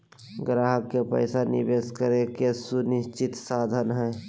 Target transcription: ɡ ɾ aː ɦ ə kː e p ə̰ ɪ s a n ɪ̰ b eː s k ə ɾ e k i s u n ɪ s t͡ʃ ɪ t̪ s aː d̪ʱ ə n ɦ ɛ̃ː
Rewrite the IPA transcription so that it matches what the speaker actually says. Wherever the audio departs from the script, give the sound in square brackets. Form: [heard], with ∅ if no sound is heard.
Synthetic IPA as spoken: ɡ ɾ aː ɦ ə kː e p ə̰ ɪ s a n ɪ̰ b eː s k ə ɾ e k [e] s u n ɪ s t͡ʃ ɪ t̪ s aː d̪ʱ ə n ɦ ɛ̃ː